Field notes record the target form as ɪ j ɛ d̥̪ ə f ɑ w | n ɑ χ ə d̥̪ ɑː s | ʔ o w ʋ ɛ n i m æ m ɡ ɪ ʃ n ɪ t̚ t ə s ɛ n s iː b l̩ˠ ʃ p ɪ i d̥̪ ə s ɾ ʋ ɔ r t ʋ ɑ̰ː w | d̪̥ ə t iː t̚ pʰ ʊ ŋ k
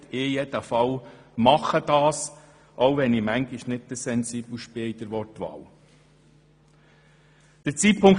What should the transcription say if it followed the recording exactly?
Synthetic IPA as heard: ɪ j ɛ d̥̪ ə f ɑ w | m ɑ χ ə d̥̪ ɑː s | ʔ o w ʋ ɛ n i m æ ŋ ɡ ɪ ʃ n ɪ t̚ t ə s ɛ n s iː b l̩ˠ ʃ p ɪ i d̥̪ ə ɾ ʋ ɔ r t ʋ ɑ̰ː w | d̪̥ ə t͡s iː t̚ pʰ ʊ ŋ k